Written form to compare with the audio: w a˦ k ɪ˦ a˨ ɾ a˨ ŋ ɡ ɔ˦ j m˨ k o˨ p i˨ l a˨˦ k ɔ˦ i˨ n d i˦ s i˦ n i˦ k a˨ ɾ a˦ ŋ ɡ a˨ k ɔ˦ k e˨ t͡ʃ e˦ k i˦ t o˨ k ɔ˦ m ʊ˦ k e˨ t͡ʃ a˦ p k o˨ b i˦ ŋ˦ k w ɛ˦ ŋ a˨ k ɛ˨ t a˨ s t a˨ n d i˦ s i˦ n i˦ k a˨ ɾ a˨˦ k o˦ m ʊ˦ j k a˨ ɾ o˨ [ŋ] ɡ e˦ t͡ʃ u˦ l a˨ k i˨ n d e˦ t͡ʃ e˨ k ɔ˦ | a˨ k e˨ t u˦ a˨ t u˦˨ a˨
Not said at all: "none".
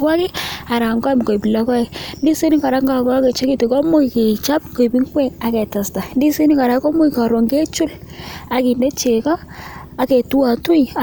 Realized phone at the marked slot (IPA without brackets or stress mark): ŋ